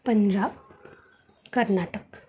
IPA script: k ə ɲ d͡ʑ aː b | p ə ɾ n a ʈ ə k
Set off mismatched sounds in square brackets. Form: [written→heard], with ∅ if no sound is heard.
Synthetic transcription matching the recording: [k→p] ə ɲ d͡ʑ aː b | [p→k] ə ɾ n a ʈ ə k